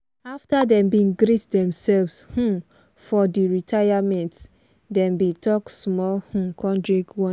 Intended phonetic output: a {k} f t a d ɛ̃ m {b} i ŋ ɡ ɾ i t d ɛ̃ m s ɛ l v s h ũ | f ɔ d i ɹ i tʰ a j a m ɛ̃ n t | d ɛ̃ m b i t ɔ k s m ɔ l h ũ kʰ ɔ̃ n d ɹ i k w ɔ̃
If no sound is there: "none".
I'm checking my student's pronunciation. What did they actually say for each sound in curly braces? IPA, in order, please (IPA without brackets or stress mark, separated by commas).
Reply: none, b